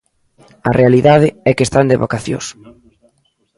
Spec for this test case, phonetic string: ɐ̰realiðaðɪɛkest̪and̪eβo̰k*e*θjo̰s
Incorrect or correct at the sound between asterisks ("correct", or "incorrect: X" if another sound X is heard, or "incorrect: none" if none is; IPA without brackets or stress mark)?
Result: incorrect: a